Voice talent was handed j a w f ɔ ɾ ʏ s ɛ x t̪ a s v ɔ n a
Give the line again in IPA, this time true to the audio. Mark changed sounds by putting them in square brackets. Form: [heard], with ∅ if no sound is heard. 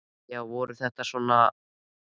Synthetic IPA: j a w [v] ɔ ɾ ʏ [θ] ɛ [h] t̪ a s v ɔ n a